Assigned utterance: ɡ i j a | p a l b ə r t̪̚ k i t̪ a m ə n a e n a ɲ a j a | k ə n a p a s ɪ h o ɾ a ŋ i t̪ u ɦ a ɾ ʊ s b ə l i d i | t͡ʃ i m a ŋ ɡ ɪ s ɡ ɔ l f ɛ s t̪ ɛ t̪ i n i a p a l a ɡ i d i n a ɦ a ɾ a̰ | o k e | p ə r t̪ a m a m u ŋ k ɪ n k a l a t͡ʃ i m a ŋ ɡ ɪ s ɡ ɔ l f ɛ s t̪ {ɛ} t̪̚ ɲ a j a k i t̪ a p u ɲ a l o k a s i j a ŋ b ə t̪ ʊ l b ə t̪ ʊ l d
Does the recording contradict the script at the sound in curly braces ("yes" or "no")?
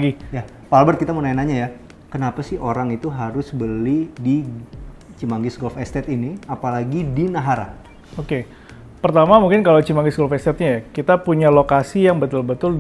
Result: no